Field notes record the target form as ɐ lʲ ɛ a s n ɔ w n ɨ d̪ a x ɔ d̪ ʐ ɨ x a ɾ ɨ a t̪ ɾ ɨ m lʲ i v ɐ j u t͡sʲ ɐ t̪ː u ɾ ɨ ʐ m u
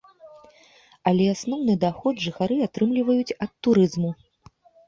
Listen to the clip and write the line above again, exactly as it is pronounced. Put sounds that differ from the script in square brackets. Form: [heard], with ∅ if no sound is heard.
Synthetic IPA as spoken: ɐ lʲ ɛ a s n ɔ w n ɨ d̪ a x ɔ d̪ ʐ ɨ x a ɾ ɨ a t̪ ɾ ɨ m lʲ i v ɐ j u t͡sʲ ɐ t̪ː u ɾ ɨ [z] m u